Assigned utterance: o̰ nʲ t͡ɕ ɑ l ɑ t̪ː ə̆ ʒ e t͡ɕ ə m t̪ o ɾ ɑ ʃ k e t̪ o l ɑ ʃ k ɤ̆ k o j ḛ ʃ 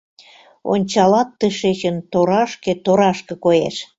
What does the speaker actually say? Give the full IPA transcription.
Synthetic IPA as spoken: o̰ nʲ t͡ɕ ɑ l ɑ t̪ː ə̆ ʃ e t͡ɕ ə n t̪ o ɾ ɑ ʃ k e t̪ o ɾ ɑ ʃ k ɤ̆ k o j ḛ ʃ